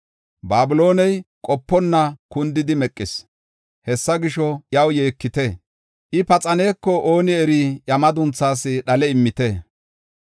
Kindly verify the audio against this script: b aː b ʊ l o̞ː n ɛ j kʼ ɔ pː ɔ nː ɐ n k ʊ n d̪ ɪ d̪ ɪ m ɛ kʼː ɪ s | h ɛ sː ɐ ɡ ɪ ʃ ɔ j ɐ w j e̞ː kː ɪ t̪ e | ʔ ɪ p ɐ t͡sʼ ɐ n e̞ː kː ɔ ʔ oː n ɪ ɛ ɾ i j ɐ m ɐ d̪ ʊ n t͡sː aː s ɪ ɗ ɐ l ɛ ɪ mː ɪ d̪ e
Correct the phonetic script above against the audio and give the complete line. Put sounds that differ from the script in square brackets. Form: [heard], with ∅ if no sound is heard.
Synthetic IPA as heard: b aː b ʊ l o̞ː n ɛ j kʼ ɔ pː ɔ nː ɐ [∅] k ʊ n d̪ ɪ d̪ ɪ m ɛ kʼː ɪ s | h ɛ sː ɐ ɡ ɪ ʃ ɔ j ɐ w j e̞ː kː ɪ t̪ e | ʔ ɪ p ɐ t͡sʼ ɐ n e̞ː kː ɔ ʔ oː n ɪ ɛ ɾ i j ɐ m ɐ d̪ ʊ n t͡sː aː s ɪ ɗ ɐ l ɛ ɪ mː ɪ [t̪] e